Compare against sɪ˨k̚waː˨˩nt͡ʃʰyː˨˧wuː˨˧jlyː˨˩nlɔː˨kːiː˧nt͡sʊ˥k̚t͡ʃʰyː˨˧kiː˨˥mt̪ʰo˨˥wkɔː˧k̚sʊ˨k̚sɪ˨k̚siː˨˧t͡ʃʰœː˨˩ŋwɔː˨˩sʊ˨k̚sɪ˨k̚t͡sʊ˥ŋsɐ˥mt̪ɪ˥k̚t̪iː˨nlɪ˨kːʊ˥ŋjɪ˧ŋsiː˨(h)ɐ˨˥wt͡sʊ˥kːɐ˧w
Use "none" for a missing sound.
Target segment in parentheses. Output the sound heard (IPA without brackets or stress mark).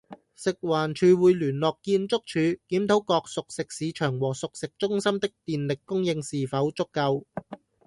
f